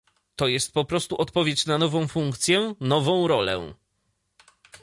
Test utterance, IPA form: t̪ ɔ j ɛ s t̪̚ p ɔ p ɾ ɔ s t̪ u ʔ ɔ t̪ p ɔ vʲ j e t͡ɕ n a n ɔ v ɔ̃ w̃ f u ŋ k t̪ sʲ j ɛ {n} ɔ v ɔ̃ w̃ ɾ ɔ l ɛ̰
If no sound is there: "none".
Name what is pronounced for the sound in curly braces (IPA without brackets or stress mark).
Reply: n